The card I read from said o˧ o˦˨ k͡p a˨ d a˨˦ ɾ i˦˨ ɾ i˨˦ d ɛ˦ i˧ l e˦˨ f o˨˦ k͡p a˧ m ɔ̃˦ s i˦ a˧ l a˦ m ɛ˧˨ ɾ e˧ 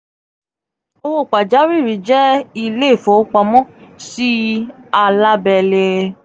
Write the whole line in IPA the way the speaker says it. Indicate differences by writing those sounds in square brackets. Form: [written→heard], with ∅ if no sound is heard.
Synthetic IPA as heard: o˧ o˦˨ k͡p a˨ [d→d͡ʒ] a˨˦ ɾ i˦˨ ɾ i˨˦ [d→d͡ʒ] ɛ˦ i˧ l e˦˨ f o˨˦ k͡p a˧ m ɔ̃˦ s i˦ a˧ l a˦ [m→b] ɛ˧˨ [ɾ→l] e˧